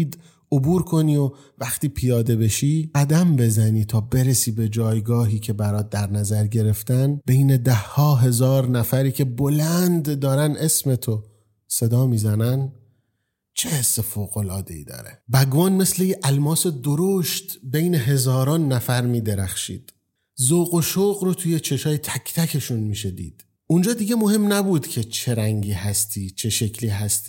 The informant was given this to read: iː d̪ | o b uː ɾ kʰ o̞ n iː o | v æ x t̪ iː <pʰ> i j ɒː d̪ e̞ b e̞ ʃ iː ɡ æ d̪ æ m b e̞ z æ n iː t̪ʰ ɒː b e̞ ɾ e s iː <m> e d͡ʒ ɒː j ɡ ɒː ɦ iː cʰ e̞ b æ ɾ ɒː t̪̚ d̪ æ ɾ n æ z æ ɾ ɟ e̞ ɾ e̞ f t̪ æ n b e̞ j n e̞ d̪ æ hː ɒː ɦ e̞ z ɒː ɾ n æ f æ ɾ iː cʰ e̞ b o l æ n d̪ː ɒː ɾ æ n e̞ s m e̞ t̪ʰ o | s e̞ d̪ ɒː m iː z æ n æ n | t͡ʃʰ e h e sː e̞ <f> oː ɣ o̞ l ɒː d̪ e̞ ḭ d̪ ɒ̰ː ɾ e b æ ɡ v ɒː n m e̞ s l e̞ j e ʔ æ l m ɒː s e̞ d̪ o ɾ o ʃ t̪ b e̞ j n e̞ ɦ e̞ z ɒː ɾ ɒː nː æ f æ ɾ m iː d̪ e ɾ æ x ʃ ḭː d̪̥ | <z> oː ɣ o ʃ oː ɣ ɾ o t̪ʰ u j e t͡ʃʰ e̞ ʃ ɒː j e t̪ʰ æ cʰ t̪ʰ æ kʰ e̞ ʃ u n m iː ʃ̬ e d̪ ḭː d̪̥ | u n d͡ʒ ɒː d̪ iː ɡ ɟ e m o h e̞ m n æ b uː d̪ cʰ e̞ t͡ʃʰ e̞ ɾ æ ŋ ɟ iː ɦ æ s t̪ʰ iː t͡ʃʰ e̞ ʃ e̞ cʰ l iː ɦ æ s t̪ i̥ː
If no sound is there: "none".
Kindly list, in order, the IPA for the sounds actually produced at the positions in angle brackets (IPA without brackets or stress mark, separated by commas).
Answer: pʰ, b, f, z